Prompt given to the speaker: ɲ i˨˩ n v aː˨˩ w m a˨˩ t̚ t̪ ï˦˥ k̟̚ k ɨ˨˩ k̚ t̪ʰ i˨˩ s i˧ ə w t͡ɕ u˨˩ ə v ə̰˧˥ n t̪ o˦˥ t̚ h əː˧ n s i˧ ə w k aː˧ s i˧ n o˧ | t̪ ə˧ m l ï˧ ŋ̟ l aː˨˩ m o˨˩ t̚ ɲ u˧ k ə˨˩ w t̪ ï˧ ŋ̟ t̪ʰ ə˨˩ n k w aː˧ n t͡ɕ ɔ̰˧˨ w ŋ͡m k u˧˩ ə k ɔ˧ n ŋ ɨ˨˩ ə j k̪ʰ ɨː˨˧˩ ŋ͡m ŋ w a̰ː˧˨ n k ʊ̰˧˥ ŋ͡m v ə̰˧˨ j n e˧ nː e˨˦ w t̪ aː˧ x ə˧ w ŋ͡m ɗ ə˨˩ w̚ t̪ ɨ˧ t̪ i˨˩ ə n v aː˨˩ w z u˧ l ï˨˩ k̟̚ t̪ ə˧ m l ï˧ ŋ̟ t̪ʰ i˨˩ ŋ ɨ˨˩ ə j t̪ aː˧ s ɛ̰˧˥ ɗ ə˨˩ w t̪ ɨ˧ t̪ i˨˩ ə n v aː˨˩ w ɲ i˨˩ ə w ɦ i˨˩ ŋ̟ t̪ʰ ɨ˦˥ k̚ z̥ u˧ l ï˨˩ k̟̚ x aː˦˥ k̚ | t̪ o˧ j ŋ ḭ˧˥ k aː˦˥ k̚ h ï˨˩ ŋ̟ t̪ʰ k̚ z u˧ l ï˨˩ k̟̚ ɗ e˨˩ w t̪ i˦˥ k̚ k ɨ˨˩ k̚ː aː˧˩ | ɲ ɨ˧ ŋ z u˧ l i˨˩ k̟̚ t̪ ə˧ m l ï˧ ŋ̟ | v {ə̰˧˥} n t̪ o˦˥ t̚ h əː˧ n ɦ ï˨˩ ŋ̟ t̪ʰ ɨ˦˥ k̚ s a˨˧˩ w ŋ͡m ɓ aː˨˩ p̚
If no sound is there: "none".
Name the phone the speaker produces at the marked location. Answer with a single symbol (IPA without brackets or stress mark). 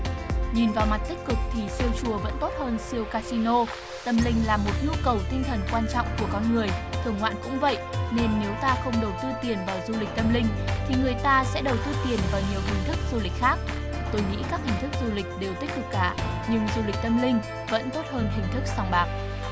ə̰˧˥